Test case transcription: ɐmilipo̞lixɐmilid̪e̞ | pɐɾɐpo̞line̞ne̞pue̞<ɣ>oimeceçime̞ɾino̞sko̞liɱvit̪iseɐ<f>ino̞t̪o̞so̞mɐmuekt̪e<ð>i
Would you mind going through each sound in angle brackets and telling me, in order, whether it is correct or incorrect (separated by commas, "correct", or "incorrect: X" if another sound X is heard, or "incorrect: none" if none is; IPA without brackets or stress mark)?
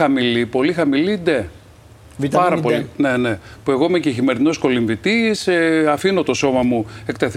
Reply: correct, correct, incorrect: θ